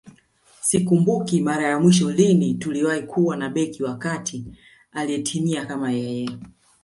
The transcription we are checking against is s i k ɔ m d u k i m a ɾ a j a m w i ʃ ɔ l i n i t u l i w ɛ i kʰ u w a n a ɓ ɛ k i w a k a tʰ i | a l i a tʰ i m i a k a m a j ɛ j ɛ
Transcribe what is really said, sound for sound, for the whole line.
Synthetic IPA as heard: s i k u m b u k i m a ɾ a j a m w i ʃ ɔ l i n i t u l i w a i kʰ u w a n a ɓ ɛ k i w a k a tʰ i | a l i ɛ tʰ i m i a k a m a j ɛ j ɛ